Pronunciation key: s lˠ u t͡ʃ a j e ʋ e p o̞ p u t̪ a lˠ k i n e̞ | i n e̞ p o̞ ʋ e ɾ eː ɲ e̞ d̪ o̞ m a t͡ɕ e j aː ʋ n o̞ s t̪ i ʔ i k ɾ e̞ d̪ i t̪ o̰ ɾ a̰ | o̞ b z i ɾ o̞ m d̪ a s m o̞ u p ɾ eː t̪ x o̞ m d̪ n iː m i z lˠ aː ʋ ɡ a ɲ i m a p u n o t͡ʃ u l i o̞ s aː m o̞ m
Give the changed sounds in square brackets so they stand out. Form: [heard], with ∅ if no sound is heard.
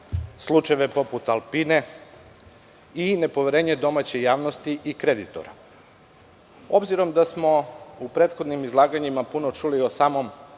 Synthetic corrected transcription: s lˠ u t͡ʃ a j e ʋ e p o̞ p u t̪ a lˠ [p] i n e̞ | i n e̞ p o̞ ʋ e ɾ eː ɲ e̞ d̪ o̞ m a t͡ɕ e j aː ʋ n o̞ s t̪ i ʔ i k ɾ e̞ d̪ i t̪ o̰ ɾ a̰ | o̞ b z i ɾ o̞ m d̪ a s m o̞ u p ɾ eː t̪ x o̞ [∅] d̪ n [i] m i z lˠ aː [∅] ɡ a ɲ i m a p u n o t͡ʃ u l i o̞ s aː m o̞ m